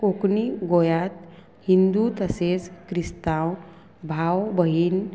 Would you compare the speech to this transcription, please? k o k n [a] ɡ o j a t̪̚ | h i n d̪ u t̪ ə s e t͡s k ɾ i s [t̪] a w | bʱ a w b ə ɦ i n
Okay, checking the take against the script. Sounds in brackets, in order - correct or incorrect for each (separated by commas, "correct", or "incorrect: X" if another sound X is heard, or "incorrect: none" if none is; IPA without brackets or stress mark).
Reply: incorrect: i, correct